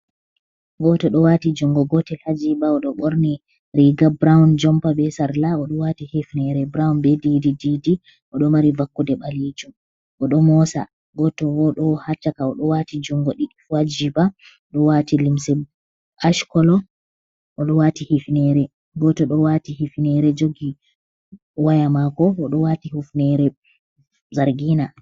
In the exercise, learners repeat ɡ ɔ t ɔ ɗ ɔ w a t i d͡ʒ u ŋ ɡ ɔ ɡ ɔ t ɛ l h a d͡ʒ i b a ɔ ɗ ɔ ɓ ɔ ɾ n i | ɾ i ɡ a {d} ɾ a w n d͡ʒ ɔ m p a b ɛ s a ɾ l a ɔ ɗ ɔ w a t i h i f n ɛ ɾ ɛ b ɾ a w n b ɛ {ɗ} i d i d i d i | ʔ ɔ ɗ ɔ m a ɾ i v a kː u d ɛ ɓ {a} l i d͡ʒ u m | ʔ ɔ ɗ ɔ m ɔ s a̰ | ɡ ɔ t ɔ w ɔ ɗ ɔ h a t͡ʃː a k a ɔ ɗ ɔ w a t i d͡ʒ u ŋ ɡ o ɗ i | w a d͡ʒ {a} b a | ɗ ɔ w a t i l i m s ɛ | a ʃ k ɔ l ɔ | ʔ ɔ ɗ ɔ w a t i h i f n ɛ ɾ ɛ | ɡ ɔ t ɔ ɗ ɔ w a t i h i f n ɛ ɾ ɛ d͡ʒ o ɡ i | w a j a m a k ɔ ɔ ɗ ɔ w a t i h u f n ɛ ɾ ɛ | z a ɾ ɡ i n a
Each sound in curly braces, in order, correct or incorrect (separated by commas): incorrect, incorrect, correct, incorrect